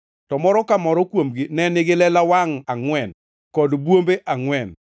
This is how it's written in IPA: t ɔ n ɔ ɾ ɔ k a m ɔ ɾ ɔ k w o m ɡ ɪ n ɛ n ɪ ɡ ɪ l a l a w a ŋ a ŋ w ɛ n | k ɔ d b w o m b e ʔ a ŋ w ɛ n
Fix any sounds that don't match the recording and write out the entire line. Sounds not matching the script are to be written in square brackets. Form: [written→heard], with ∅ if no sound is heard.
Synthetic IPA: t ɔ [n→m] ɔ ɾ ɔ k a m ɔ ɾ ɔ k w o m ɡ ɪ n ɛ n ɪ ɡ ɪ l [a→ɛ] l a w a ŋ a ŋ w ɛ n | k ɔ d b w o m b e ʔ a ŋ w ɛ n